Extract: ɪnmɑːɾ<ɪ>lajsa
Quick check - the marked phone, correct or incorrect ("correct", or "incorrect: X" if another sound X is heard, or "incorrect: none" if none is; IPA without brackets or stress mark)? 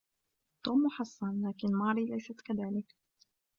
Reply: incorrect: i